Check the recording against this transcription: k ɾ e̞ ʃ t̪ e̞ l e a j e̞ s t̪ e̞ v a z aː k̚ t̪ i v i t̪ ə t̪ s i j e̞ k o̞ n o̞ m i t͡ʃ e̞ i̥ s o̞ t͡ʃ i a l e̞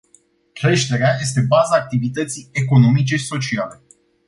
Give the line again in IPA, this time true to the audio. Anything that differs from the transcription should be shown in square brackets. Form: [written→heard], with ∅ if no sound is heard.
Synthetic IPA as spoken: k ɾ e̞ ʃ t̪ e̞ [l→ɾ] e a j e̞ s t̪ e̞ [v→b] a z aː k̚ t̪ i v i t̪ ə t̪ s i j e̞ k o̞ n o̞ m i t͡ʃ e̞ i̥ s o̞ t͡ʃ i a l e̞